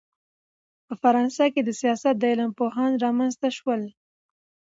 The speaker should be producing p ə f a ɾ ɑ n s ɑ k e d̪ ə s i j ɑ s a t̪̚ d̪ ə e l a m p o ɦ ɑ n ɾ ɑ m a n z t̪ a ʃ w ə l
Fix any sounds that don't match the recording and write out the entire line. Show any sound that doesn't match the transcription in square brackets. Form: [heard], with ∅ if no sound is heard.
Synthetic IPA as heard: p ə f a ɾ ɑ n s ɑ k e d̪ ə s i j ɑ s a t̪̚ d̪ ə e l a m p o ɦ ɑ n ɾ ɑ m a n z t̪ a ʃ w ə l